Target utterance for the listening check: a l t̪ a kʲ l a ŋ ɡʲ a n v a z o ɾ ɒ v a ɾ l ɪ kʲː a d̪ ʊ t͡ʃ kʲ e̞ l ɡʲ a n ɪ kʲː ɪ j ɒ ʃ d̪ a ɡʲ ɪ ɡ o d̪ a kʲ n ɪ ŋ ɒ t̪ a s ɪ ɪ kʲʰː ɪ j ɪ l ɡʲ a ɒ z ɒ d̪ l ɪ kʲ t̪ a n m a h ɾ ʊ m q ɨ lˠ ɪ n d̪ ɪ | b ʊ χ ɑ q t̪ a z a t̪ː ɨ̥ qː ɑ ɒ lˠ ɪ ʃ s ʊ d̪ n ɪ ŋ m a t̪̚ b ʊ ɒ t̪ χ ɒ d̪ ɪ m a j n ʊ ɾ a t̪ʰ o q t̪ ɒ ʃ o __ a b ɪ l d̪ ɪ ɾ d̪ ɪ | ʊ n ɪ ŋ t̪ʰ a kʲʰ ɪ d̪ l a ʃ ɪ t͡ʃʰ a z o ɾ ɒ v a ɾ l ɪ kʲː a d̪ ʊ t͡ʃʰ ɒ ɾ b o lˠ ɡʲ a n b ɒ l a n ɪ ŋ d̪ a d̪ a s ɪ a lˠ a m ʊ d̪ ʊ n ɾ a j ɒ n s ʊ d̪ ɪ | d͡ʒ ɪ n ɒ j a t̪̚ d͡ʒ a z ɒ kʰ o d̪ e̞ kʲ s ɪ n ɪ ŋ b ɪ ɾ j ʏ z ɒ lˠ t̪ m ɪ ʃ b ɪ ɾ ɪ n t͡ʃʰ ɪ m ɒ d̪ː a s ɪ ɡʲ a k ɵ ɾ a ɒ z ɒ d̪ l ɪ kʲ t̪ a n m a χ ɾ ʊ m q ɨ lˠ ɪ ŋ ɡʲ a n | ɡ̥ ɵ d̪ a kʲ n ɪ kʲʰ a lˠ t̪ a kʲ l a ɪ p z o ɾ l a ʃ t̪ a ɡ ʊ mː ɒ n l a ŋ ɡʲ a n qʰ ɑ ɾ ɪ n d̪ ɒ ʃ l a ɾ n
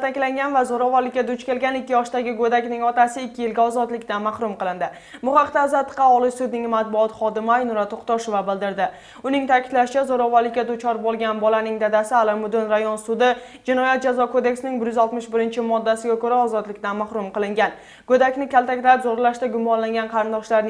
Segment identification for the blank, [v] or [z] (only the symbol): v